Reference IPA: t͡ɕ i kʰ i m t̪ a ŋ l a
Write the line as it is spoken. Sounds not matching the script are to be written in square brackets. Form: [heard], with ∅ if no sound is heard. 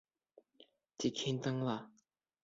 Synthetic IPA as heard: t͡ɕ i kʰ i [n] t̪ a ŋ l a